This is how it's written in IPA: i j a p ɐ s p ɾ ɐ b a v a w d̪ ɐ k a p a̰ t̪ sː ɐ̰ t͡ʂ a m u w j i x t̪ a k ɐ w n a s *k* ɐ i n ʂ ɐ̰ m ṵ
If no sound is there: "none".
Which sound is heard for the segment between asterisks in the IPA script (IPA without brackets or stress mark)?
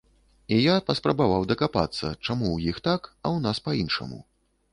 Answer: p